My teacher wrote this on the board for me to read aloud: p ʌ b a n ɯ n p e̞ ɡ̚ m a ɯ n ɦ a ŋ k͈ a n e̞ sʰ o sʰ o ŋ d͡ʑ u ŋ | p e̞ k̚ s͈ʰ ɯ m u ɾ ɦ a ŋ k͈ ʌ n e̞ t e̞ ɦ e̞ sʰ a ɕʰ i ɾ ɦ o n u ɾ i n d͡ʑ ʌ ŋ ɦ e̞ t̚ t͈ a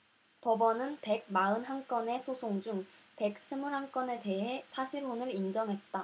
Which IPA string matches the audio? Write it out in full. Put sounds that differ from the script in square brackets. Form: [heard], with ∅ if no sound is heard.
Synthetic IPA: p ʌ b [ʌ] n ɯ n p e̞ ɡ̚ m a ɯ n ɦ a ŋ k͈ [ʌ] n e̞ sʰ o sʰ o ŋ d͡ʑ u ŋ | p e̞ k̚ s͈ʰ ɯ m u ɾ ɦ a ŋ k͈ ʌ n e̞ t e̞ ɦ e̞ sʰ a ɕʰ i ɾ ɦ o n [ɯ] ɾ i n d͡ʑ ʌ ŋ ɦ e̞ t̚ t͈ a